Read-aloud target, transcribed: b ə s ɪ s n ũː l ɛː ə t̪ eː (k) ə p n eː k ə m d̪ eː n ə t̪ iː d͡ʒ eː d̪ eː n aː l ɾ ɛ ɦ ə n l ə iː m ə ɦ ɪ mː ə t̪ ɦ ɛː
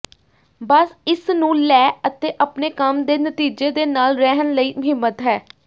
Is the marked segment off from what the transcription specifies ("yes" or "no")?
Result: yes